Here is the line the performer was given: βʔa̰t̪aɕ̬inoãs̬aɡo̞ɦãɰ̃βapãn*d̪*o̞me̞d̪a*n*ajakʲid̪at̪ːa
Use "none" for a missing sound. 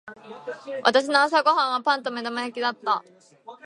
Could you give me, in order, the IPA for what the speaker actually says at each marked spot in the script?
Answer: t̪, m

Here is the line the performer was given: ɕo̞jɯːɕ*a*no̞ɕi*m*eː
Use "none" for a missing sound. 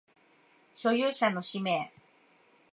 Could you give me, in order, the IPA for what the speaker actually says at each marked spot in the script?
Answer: a, m

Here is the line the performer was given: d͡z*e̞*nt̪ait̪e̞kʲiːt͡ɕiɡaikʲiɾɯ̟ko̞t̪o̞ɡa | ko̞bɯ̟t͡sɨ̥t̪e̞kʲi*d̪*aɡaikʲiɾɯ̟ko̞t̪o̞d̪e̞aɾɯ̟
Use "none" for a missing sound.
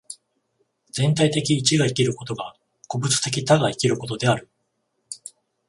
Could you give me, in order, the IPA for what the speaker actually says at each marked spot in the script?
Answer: ẽ̞, t̪

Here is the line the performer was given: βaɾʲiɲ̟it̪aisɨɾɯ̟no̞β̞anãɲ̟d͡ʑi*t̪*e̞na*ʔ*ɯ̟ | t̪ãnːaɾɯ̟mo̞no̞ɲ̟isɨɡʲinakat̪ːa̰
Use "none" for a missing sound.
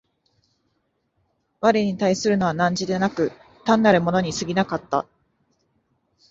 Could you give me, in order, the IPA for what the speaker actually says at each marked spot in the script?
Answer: d̪, k

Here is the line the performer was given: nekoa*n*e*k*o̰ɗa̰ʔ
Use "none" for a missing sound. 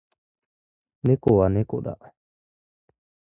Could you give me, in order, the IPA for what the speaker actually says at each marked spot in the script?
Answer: n, k

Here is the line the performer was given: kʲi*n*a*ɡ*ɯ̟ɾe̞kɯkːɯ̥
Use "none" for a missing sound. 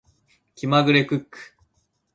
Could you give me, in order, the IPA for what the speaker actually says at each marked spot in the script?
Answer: m, ɡ

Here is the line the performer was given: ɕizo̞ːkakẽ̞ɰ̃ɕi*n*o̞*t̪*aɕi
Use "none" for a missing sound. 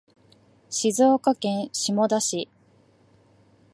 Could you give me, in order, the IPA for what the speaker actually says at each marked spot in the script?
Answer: m, d̪

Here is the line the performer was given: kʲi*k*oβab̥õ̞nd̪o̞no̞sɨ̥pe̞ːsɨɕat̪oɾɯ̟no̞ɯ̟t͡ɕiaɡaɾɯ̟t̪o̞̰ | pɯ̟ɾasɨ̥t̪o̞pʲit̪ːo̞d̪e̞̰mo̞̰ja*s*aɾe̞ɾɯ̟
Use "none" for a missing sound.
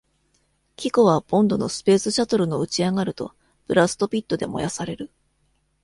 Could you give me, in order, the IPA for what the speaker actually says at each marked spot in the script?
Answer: k, s

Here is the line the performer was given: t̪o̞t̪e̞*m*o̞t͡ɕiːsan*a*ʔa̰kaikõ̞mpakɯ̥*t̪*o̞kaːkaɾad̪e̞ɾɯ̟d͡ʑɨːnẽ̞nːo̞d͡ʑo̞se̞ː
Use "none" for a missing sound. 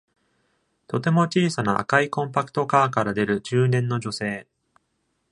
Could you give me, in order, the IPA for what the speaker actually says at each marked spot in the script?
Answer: m, a, t̪

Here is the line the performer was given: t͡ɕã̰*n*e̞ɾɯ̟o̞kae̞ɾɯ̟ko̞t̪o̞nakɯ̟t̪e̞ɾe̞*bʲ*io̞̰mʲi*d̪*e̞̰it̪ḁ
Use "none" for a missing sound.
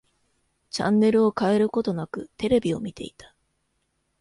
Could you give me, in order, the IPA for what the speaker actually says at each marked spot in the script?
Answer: nː, bʲ, t̪

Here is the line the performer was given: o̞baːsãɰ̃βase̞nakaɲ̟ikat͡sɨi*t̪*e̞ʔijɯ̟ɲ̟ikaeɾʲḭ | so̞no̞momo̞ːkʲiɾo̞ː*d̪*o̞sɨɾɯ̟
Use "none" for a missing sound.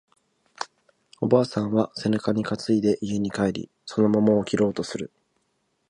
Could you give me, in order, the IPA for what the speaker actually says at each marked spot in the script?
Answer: d̪, t̪

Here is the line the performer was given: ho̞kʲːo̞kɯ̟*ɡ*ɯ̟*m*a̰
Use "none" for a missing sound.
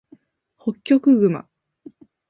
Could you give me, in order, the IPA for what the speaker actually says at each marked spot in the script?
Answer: ɡ, m

